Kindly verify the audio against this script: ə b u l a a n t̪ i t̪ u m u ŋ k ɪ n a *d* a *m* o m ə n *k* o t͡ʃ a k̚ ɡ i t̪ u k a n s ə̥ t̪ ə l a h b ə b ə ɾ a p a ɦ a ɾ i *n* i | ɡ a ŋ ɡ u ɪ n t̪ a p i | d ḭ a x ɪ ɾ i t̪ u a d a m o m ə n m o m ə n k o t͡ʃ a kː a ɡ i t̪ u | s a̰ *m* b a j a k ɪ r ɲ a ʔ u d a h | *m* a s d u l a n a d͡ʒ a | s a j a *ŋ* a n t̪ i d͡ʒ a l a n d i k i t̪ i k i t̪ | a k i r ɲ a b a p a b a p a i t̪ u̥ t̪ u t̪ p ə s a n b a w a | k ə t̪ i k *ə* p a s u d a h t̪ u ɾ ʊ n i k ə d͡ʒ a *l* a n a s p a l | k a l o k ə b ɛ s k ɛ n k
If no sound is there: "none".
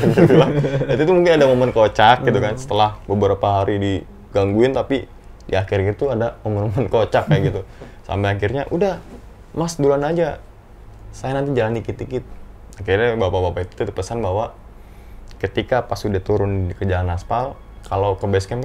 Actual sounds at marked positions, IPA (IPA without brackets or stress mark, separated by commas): d, m, k, d, m, m, n, a, l